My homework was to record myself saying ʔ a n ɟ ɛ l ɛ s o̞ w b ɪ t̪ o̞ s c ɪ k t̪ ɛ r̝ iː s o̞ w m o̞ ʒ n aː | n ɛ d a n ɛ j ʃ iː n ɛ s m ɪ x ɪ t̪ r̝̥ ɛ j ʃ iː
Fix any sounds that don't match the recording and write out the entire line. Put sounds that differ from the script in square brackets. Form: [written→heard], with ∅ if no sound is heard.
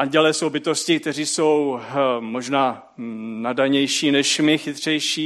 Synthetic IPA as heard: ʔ a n ɟ ɛ l ɛ s o̞ w b ɪ t̪ o̞ s c ɪ k t̪ ɛ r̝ iː s o̞ w m o̞ ʒ n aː | n [ɛ→a] d a [n→ɲ] ɛ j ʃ iː n ɛ [s→ʃ] m ɪ x ɪ t̪ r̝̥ ɛ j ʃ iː